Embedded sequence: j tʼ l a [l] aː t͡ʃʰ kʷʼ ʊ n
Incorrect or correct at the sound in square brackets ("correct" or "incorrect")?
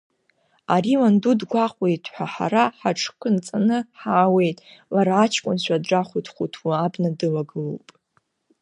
incorrect